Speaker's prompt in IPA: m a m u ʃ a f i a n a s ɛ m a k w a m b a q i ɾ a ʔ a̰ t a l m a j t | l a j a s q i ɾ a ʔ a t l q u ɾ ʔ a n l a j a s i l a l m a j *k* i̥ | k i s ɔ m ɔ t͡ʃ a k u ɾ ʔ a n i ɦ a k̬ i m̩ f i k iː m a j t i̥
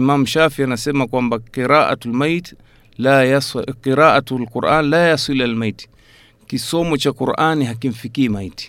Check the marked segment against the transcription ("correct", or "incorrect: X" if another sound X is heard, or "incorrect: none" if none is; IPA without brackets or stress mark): incorrect: t